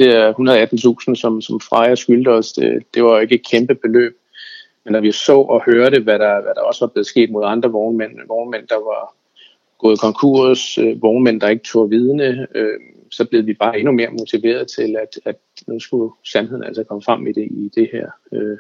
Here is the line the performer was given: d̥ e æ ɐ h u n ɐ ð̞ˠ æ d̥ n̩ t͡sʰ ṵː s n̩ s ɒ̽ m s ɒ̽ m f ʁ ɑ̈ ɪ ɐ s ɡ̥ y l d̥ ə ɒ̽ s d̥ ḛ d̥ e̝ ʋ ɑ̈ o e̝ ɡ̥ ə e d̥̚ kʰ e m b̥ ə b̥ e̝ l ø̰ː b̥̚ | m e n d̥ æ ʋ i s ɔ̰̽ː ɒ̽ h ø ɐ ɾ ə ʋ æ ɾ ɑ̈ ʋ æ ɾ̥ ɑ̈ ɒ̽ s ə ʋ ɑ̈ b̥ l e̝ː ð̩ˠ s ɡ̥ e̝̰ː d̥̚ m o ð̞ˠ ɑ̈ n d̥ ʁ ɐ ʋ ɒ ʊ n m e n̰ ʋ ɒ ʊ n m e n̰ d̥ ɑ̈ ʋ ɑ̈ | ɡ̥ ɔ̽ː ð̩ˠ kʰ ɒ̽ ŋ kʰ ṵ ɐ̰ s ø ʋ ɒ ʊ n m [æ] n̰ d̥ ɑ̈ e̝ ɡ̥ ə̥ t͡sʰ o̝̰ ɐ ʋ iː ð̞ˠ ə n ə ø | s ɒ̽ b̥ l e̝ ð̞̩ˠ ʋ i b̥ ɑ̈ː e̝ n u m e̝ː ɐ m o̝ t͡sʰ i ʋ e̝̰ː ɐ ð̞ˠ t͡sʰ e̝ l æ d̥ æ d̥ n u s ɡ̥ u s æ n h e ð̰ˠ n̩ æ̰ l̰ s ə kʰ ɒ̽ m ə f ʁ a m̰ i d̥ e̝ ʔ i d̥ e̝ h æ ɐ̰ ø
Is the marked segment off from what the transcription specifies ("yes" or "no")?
yes